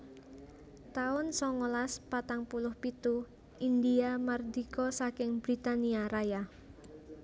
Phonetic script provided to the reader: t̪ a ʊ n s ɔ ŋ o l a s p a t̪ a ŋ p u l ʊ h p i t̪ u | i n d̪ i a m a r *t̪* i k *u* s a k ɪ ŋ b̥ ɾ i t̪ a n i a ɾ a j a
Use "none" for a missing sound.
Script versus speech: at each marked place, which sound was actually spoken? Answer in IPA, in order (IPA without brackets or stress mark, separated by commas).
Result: d̪, ɔ